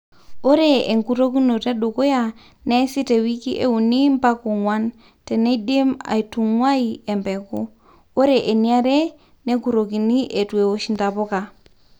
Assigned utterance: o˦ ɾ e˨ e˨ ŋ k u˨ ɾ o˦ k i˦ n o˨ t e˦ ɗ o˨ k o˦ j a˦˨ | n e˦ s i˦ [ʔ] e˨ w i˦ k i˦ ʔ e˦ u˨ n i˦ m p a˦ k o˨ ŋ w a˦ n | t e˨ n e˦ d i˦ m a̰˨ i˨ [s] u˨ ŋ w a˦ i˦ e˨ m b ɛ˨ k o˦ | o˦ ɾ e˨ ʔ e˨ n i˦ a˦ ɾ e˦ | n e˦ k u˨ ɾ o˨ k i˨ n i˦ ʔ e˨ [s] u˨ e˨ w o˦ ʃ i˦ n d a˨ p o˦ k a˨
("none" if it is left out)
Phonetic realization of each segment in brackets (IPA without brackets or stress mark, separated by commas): t, t, t